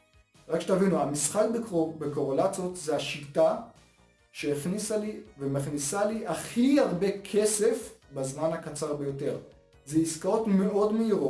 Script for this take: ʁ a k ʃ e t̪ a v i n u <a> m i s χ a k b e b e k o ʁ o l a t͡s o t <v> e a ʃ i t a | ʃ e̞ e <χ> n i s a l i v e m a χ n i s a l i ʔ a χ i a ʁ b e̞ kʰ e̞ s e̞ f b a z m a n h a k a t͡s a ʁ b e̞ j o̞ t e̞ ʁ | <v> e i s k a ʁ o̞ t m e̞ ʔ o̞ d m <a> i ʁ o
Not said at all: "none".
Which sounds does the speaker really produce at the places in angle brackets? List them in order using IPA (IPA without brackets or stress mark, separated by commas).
a, z, χ, z, e